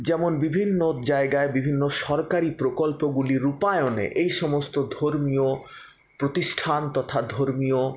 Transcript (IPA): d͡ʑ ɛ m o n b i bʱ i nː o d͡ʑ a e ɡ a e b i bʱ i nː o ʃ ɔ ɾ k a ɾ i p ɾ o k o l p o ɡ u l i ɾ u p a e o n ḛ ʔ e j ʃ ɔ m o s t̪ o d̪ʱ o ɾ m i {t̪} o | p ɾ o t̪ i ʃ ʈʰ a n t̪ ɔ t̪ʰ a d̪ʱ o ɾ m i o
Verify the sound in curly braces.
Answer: incorrect: none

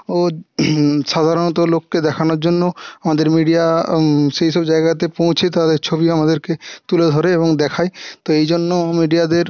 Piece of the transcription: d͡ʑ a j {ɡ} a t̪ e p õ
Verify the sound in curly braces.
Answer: correct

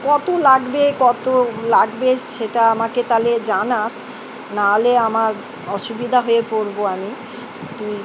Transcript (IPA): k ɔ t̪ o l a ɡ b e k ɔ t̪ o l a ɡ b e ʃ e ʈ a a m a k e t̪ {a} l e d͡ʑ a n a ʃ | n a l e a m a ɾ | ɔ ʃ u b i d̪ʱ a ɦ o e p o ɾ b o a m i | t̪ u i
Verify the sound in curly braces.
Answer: correct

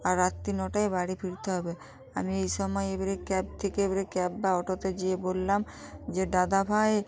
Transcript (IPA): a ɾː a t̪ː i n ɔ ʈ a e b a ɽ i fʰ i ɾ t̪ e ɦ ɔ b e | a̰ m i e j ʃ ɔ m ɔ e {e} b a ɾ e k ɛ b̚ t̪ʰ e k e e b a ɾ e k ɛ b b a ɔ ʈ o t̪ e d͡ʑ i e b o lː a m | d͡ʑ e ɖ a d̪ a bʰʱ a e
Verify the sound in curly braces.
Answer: correct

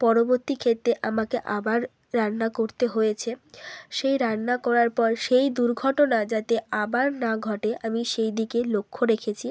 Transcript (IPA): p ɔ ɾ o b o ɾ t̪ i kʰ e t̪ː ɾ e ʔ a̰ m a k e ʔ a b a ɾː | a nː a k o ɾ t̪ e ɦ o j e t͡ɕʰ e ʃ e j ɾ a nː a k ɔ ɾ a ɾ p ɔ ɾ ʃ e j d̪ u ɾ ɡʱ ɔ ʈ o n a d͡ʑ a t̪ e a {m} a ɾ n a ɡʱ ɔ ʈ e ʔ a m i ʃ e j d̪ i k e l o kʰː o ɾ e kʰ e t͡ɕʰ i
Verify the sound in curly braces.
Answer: incorrect: b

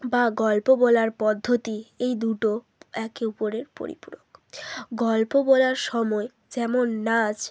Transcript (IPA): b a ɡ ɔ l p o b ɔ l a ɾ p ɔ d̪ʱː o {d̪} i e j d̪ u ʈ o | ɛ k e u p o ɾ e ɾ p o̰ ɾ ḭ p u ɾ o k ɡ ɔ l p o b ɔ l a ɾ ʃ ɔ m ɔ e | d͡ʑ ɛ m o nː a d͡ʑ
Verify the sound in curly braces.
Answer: incorrect: t̪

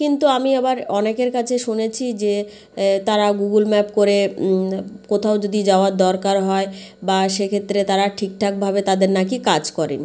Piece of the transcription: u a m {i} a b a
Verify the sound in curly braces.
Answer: correct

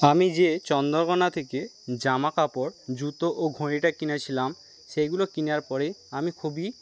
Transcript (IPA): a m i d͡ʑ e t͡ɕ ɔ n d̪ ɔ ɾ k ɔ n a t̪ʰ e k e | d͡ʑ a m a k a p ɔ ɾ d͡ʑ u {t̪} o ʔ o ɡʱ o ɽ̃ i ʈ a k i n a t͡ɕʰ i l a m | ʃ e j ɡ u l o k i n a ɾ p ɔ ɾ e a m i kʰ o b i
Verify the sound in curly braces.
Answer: correct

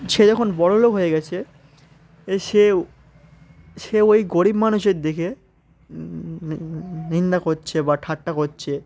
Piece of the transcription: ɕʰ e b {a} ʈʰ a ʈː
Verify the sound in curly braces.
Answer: correct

